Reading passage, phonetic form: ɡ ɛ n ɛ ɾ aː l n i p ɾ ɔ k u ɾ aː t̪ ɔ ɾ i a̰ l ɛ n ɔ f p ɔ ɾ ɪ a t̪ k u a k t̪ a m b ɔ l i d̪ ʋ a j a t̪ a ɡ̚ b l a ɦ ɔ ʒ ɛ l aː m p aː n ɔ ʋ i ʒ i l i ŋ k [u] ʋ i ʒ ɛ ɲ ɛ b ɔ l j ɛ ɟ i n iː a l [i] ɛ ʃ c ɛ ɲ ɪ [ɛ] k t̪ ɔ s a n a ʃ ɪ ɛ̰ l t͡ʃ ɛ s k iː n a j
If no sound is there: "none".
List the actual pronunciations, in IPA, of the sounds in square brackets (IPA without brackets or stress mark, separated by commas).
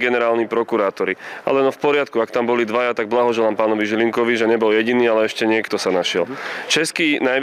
ɔ, ɛ, ɛ